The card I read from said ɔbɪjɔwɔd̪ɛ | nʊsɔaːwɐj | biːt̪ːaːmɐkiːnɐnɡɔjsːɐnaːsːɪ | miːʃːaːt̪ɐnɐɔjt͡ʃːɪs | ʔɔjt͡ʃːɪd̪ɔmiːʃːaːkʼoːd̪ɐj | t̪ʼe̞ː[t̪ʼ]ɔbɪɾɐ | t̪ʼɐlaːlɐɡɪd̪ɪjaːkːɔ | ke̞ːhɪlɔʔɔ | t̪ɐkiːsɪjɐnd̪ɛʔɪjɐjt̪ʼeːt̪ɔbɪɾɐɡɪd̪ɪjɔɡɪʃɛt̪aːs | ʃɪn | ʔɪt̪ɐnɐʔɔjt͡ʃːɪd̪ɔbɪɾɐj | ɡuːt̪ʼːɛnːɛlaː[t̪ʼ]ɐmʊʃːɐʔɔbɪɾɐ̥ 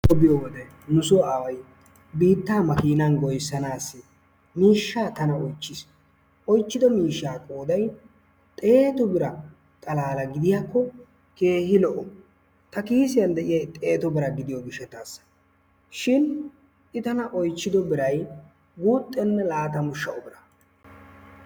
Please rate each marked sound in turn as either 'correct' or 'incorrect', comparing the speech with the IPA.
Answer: incorrect: t̪, incorrect: t̪

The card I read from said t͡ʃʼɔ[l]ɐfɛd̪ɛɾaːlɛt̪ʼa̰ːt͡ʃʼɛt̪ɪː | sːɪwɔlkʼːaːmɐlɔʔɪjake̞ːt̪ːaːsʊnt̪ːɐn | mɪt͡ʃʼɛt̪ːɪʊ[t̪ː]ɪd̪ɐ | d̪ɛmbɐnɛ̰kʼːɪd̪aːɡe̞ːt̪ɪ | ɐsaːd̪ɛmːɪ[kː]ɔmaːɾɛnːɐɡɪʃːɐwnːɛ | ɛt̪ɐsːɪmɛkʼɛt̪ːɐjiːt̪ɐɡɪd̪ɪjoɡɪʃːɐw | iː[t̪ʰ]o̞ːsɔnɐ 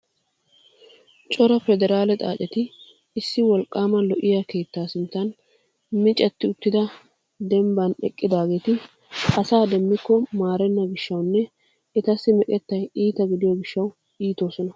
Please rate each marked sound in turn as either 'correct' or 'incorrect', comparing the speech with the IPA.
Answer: incorrect: ɾ, correct, correct, incorrect: t̪

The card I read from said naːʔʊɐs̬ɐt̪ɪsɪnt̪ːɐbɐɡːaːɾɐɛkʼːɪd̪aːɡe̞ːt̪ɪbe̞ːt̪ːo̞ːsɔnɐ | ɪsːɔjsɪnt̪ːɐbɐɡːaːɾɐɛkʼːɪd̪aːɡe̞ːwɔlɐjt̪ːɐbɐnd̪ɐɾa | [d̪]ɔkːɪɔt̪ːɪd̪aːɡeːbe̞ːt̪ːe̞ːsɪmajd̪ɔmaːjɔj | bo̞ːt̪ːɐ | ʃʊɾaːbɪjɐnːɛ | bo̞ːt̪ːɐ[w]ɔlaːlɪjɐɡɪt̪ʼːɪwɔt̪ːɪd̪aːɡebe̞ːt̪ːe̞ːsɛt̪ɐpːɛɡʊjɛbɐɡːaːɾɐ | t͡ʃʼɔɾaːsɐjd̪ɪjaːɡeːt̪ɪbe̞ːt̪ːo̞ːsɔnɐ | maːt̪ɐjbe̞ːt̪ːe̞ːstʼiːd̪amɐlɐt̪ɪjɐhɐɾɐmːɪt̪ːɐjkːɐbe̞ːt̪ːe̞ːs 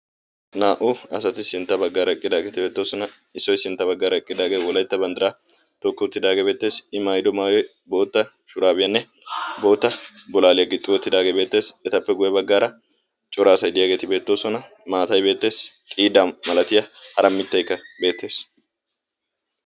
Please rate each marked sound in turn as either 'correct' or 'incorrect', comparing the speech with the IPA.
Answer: incorrect: t̪, incorrect: b

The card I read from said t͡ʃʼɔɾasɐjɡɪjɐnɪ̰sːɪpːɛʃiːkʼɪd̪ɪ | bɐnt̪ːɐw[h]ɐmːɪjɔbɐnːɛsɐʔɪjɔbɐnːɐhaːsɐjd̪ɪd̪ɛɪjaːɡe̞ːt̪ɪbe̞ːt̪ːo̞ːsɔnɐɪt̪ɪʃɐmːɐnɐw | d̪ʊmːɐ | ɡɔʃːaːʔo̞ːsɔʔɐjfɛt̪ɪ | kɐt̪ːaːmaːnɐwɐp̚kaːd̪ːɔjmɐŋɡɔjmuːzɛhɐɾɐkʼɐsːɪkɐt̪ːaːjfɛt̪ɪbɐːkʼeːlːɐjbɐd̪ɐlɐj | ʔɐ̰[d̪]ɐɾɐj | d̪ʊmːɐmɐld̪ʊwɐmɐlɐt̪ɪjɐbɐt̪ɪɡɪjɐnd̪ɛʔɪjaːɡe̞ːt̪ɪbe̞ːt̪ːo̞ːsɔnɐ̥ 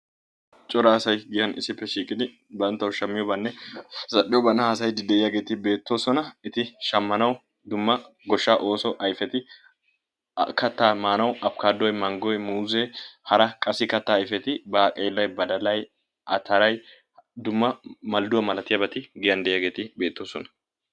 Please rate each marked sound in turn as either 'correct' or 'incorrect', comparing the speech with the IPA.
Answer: incorrect: ʃ, incorrect: t̪

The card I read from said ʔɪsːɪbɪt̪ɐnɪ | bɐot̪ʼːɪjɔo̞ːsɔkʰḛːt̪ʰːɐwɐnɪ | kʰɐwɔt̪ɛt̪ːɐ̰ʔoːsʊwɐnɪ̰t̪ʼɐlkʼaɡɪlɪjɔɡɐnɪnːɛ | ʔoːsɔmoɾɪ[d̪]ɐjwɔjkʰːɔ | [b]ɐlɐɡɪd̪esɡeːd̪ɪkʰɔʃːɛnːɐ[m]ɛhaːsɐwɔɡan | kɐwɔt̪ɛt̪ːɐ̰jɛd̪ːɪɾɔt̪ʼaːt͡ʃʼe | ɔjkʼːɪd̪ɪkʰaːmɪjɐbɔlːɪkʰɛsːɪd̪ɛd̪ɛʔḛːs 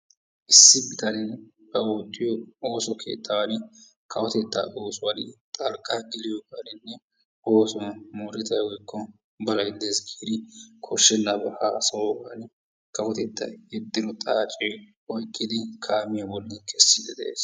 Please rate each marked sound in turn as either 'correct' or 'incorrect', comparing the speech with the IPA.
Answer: incorrect: t̪, correct, incorrect: b

